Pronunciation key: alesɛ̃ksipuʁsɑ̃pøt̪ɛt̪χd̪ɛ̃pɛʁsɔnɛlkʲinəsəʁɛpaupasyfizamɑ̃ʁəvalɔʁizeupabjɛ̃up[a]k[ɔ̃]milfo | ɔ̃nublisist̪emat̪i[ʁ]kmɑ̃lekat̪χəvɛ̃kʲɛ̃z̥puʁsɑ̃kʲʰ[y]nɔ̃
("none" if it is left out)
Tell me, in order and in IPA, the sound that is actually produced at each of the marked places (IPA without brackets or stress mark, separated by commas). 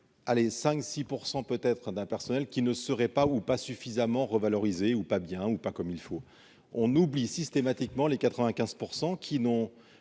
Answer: a, ɔ, none, i